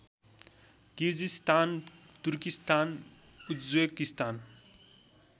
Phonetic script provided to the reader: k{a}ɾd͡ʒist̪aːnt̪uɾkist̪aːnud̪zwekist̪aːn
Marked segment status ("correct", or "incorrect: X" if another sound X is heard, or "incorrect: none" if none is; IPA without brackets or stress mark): incorrect: i